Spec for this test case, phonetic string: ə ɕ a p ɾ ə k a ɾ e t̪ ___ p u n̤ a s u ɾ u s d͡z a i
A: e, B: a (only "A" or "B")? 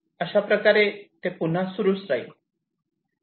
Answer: A